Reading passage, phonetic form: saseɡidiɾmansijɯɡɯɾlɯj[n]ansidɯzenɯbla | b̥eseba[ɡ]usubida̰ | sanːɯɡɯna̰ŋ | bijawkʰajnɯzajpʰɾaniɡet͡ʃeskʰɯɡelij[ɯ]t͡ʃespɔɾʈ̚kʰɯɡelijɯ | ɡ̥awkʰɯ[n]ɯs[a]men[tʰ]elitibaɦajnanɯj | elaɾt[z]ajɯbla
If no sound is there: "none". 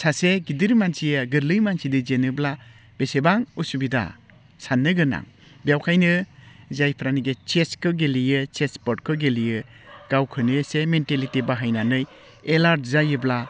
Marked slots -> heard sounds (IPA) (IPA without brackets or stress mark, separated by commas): m, ŋ, ɯ, n, e, t, z